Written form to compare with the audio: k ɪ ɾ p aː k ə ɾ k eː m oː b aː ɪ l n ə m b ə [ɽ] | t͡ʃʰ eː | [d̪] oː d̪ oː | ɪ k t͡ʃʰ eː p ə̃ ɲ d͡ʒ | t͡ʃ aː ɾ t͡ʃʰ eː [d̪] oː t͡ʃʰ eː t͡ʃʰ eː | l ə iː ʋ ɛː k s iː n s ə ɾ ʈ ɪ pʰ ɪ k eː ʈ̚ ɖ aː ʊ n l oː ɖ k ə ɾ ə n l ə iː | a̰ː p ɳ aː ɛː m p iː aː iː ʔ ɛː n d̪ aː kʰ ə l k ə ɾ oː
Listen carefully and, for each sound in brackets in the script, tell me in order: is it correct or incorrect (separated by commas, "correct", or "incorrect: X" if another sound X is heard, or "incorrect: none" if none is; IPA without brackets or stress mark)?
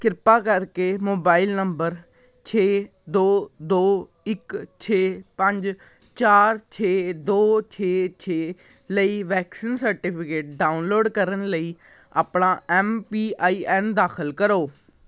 incorrect: ɾ, correct, correct